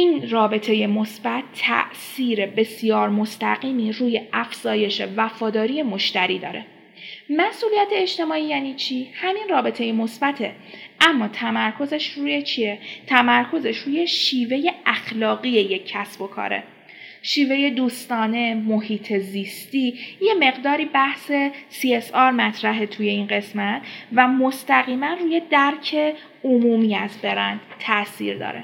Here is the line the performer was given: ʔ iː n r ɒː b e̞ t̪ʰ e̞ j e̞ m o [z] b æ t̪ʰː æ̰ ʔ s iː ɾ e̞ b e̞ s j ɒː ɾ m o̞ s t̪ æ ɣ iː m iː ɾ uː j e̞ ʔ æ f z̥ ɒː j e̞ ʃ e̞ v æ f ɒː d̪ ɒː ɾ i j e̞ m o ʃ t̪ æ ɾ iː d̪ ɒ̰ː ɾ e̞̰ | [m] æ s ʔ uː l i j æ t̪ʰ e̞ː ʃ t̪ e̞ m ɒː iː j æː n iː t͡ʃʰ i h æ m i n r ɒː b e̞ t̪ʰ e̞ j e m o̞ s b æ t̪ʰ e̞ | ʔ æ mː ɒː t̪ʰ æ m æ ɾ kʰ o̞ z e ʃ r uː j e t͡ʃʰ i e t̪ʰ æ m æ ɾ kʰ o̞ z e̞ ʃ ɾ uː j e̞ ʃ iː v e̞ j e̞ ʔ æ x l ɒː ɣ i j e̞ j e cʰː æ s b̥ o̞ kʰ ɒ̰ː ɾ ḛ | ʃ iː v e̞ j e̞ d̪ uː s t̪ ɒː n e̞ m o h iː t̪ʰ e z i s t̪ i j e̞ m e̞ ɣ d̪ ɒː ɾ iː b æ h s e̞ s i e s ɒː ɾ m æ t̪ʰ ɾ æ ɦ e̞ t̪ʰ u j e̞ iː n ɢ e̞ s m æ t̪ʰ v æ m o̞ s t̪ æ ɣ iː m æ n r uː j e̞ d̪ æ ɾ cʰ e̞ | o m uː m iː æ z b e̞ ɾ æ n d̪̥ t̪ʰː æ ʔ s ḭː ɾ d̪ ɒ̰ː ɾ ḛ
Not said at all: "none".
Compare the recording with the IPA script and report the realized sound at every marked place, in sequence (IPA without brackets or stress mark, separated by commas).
s, m